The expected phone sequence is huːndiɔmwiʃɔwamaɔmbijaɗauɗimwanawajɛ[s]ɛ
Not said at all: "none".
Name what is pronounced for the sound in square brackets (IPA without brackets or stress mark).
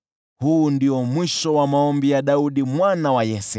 s